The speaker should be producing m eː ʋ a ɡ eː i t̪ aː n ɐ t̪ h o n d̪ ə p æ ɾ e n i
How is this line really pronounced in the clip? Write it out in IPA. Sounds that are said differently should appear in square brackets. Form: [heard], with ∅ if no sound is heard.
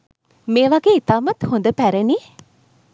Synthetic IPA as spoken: m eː ʋ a ɡ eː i t̪ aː [m] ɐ t̪ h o n d̪ ə p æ ɾ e n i